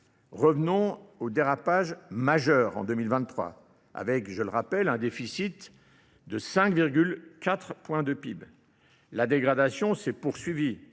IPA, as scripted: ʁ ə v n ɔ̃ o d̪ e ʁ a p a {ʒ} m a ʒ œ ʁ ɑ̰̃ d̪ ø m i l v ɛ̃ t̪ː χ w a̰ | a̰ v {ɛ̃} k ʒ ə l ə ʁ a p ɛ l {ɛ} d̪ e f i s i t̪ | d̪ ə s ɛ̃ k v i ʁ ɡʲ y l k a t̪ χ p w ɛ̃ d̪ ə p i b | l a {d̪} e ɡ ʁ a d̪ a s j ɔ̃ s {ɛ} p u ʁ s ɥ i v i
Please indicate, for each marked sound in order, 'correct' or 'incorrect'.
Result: correct, incorrect, incorrect, correct, correct

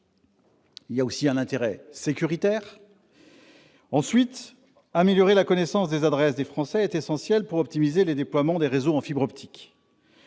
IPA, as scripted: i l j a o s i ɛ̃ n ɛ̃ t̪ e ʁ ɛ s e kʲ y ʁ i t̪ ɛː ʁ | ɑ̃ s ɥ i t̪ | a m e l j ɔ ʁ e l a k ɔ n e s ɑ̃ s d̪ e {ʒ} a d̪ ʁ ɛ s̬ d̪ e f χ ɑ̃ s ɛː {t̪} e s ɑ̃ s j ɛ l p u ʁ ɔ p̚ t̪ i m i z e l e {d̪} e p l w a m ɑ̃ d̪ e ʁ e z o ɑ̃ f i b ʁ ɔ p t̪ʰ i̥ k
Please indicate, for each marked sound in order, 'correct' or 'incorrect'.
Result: incorrect, correct, correct

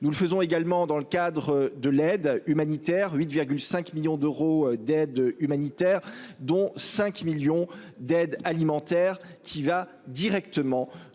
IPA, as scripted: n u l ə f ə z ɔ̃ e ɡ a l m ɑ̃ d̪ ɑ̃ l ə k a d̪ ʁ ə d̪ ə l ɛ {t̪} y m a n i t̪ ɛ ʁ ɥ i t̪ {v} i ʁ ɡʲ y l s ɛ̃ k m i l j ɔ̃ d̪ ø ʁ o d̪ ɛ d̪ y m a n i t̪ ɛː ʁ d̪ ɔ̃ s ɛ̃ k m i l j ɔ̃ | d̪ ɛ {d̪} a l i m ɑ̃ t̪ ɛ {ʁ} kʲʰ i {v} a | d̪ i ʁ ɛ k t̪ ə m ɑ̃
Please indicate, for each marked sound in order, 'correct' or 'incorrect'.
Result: incorrect, correct, correct, correct, correct

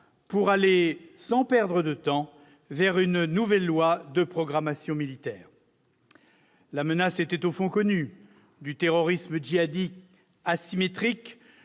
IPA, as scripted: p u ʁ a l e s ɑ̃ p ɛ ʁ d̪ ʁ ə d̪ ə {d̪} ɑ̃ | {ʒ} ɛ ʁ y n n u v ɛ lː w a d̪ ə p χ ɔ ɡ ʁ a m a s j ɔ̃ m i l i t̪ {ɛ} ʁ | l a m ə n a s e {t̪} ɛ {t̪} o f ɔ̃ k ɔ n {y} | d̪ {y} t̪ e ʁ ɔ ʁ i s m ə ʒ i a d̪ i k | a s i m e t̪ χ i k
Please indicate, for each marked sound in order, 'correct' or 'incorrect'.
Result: incorrect, incorrect, incorrect, correct, correct, correct, correct

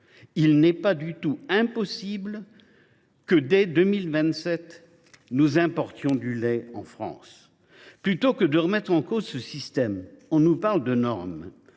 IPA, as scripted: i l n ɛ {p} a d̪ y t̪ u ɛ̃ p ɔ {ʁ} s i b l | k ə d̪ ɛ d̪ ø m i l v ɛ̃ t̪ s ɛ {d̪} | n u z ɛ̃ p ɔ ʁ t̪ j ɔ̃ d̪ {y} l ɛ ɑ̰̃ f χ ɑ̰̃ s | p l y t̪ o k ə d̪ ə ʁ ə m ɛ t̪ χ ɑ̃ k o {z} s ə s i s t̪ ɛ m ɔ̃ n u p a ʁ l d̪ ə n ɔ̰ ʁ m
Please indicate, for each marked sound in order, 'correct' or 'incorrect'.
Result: correct, incorrect, incorrect, correct, correct

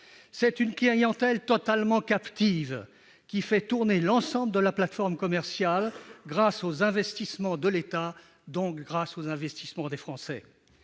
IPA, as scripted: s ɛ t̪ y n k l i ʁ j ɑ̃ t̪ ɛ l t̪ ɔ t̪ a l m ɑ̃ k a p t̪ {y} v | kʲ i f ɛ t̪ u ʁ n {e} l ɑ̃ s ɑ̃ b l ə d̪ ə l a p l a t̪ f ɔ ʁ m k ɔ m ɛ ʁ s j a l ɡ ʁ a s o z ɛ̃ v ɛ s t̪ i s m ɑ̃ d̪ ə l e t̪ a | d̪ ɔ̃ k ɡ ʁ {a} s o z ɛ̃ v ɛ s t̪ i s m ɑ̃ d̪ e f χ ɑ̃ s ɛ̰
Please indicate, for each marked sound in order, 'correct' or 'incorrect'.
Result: incorrect, correct, correct

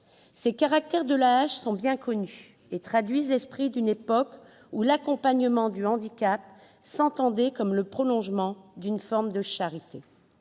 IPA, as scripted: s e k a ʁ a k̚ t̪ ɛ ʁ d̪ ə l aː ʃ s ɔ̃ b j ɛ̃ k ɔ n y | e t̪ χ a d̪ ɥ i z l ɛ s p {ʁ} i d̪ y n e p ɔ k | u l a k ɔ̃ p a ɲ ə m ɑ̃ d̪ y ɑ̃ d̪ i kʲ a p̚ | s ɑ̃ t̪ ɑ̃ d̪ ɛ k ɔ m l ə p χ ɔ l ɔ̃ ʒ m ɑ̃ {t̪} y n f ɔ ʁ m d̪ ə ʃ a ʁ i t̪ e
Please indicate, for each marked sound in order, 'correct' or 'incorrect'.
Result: incorrect, incorrect

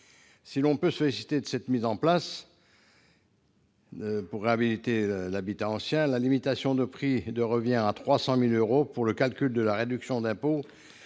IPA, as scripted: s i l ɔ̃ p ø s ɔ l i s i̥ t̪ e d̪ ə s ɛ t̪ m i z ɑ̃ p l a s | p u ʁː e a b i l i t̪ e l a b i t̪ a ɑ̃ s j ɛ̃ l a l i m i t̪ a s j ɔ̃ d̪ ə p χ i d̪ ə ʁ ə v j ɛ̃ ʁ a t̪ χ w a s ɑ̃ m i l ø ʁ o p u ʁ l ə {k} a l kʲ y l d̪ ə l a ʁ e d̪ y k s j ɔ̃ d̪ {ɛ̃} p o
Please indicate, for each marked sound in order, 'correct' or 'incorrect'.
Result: correct, correct

